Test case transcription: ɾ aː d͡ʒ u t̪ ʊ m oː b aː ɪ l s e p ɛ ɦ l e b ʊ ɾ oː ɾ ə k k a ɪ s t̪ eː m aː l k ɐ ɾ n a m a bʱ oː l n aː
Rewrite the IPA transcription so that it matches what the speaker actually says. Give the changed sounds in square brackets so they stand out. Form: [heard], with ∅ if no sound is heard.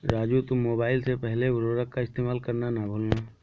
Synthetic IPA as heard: ɾ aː d͡ʒ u t̪ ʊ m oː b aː ɪ l s e p ɛ ɦ l e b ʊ ɾ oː ɾ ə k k a ɪ s t̪ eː m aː l k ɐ ɾ n a [n] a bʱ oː l n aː